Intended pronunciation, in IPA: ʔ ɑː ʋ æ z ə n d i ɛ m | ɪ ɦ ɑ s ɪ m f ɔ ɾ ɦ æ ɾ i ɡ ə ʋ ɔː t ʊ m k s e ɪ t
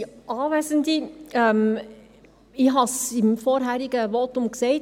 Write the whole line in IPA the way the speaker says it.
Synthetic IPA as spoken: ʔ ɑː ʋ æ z ə n d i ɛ m | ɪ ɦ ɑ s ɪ m f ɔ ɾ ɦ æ ɾ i ɡ ə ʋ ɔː t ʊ m k s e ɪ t